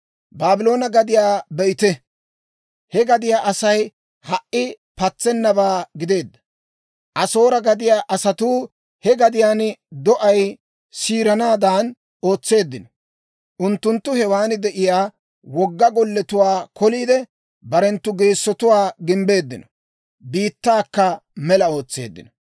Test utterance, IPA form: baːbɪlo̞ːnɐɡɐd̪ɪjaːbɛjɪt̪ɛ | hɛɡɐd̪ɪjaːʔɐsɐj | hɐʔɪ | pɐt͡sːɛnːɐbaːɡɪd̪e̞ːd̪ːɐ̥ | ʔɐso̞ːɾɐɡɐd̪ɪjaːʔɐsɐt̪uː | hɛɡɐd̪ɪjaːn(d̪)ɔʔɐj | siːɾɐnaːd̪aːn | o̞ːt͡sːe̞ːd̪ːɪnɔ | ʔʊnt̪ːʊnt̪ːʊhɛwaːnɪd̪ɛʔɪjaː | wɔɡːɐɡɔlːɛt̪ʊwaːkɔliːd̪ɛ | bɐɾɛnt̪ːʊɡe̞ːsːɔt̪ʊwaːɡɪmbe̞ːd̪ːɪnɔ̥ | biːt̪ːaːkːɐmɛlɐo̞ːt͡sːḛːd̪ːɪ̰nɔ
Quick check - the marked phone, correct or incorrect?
correct